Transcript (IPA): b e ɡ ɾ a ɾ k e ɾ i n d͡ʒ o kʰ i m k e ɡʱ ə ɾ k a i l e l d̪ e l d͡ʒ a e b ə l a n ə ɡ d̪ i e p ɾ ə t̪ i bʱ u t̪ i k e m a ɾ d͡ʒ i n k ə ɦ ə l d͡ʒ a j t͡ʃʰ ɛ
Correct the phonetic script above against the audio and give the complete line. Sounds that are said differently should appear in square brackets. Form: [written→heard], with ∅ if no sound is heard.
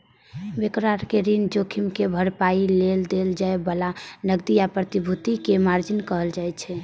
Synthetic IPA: b e [ɡ→k] ɾ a ɾ k e ɾ i n d͡ʒ o kʰ i m k e [ɡʱ→bʱ] ə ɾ [k→p] a i l e l d̪ e l d͡ʒ a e b ə l a n ə ɡ d̪ i [e→a] p ɾ ə t̪ i bʱ u t̪ i k e m a ɾ d͡ʒ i n k ə ɦ ə l d͡ʒ a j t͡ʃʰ ɛ